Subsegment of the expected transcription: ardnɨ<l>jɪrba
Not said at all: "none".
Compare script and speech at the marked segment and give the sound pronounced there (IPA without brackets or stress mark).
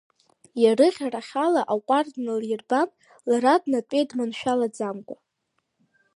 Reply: l